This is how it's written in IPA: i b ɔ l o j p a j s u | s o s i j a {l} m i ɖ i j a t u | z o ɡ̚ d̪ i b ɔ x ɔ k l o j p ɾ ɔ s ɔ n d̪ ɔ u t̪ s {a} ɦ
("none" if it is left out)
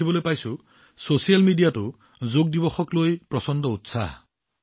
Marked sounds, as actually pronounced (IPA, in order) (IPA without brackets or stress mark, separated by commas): l, a